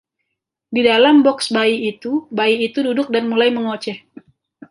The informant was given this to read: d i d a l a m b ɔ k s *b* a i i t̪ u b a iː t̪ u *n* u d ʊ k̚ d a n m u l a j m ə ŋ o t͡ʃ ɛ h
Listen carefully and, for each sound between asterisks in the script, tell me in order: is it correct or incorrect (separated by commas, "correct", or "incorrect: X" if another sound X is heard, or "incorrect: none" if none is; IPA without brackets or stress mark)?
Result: correct, incorrect: d